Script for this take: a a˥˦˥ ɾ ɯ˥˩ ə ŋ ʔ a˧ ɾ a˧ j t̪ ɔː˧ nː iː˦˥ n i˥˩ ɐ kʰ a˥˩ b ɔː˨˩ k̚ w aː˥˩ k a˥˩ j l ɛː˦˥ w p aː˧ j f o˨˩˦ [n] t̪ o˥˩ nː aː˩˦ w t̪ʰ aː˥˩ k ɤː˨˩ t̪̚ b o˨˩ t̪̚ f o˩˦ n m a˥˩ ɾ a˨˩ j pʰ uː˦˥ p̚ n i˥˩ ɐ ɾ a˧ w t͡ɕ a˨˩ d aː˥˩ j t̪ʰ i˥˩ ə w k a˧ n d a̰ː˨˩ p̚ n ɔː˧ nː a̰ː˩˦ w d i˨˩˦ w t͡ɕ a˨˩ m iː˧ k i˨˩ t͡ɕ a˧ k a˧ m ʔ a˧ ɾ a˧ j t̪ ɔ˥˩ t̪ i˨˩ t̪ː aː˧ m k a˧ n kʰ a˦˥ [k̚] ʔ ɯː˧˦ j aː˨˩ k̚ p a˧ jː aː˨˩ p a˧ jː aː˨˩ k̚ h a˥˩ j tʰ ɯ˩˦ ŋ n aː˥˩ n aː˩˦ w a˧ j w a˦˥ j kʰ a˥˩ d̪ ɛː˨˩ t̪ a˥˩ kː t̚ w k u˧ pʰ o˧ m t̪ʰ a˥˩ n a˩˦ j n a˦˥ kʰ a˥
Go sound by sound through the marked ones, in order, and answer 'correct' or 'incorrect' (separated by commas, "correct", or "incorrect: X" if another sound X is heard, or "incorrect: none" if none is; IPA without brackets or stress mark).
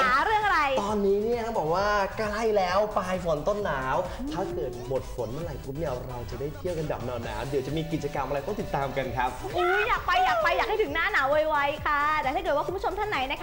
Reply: correct, incorrect: p̚